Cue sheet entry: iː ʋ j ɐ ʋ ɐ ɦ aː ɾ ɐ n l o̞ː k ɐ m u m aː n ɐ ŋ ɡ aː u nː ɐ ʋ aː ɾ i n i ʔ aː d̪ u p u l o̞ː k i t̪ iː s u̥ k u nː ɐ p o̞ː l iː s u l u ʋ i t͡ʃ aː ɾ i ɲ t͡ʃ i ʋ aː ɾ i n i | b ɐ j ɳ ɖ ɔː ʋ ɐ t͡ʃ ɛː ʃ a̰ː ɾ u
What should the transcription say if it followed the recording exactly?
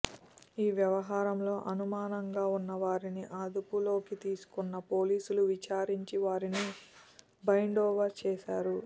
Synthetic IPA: iː ʋ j ɐ ʋ ɐ ɦ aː ɾ ɐ m l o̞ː ʔ ɐ n u m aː n ɐ ŋ ɡ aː u nː ɐ ʋ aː ɾ i n i ʔ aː d̪ u p u l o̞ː k i t̪ iː s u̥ k u nː ɐ p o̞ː l iː s u l u ʋ i t͡ʃ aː ɾ i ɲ t͡ʃ i ʋ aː ɾ i n i | b ɐ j ɳ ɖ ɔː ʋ ɐ t͡ʃ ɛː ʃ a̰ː ɾ u